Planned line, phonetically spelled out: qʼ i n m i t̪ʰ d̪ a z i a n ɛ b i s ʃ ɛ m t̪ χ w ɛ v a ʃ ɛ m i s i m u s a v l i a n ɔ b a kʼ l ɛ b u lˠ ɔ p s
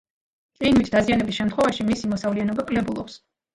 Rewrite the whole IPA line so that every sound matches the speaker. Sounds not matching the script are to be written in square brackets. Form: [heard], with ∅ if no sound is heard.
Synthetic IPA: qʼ i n m i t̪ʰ d̪ a z i a n ɛ b i s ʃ ɛ m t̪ χ w ɛ v a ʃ [i] m i s i m [ɔ] s a v l i a n ɔ b a kʼ l ɛ b u lˠ ɔ p s